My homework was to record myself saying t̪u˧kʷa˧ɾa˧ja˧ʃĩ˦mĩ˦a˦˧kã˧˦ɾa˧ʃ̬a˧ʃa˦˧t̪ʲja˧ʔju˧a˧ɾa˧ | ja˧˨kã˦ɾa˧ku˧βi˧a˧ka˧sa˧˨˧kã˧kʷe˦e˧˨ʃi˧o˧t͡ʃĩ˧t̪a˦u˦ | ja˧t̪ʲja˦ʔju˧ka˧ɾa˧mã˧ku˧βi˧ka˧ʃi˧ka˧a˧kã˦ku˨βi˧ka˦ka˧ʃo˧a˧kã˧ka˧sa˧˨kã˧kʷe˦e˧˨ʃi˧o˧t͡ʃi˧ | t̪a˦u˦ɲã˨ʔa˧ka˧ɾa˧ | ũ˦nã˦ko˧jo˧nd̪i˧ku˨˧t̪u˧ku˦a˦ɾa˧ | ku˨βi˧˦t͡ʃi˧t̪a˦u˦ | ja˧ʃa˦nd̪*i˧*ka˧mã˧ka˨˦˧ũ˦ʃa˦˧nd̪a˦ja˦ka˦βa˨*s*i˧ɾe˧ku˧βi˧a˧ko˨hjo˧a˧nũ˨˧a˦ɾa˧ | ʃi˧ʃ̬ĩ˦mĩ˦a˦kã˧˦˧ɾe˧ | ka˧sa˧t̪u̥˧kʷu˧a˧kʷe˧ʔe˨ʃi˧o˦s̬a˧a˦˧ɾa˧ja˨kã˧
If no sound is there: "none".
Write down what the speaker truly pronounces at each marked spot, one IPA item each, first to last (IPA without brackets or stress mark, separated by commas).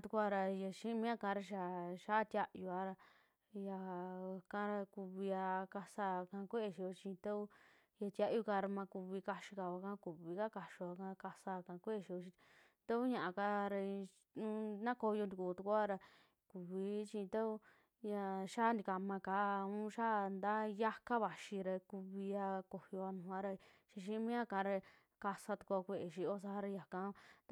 i˧, ʃ